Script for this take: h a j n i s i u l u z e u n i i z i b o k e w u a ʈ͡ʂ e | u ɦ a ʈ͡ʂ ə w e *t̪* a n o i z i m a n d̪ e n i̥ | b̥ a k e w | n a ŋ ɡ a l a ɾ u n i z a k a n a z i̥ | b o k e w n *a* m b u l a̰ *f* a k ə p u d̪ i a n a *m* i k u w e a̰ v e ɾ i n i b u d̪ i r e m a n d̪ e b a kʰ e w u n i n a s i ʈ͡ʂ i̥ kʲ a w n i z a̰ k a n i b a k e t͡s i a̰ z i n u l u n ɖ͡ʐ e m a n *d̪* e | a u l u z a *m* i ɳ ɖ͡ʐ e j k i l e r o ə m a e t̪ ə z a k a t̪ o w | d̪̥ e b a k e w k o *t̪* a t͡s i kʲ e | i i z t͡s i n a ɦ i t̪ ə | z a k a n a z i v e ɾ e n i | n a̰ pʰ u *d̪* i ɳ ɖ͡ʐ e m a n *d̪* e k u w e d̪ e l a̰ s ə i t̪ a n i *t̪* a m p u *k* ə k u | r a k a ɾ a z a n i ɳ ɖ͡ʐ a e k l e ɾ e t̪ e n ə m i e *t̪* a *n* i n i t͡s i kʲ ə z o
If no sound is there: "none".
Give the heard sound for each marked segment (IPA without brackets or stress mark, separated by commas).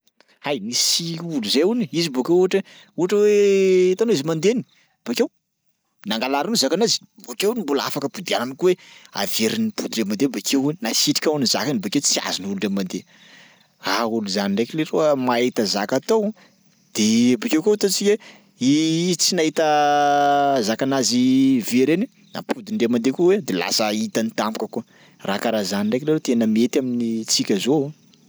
t̪, i, f, n, d̪, n, t̪, d̪, d̪, t̪, k, t̪, m